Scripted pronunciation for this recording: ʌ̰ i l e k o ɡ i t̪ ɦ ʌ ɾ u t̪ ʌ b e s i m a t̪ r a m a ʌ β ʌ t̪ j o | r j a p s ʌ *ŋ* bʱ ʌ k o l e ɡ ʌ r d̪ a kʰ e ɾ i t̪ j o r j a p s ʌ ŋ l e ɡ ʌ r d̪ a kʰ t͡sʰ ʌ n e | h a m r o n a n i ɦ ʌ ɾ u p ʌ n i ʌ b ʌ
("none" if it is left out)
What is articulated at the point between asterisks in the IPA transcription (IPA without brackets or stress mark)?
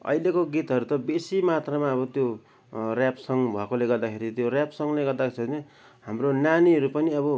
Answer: ŋ